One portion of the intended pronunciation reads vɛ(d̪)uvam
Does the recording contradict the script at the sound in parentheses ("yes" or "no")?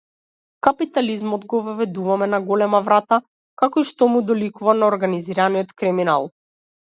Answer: no